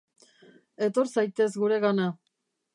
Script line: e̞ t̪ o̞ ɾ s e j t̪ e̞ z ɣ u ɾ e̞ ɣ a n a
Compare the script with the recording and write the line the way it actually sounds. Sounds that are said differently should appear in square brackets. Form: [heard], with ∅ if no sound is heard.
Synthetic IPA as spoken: e̞ t̪ o̞ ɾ s [a] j t̪ e̞ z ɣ u ɾ e̞ ɣ a n a